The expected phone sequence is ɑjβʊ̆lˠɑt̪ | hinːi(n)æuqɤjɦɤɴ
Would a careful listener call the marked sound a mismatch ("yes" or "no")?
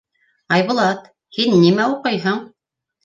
yes